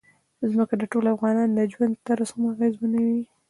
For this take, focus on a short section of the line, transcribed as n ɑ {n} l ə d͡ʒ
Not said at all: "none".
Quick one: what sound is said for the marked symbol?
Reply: n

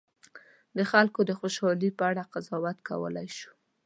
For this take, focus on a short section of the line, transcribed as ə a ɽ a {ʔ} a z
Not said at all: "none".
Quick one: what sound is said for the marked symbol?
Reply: q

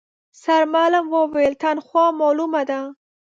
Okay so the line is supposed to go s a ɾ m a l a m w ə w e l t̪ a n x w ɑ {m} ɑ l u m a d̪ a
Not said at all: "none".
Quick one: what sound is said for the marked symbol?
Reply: m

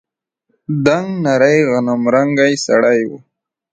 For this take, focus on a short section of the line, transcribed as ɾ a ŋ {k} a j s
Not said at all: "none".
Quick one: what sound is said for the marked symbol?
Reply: ɡ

